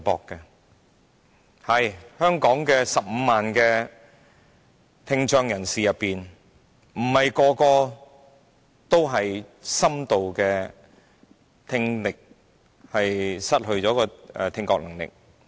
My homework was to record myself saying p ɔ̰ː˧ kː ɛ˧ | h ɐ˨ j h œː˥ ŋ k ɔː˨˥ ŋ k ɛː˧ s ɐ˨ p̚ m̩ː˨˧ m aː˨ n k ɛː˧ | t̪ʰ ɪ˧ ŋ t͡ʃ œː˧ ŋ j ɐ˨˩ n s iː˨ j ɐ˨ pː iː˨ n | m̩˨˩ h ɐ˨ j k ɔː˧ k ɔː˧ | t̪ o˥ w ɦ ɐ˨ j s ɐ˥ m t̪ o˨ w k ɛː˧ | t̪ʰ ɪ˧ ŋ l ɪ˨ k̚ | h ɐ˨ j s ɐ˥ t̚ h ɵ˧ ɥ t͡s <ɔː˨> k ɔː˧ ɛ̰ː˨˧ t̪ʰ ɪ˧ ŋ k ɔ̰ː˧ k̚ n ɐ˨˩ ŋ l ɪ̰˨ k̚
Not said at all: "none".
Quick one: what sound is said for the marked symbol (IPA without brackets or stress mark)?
ɔː˨˥